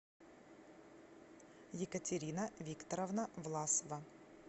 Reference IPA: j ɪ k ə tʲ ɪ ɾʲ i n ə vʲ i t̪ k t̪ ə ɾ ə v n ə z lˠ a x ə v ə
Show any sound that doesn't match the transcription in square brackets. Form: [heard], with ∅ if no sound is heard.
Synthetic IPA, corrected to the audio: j ɪ k ə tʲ ɪ ɾʲ i n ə vʲ i [∅] k t̪ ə ɾ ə v n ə [v] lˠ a [s] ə v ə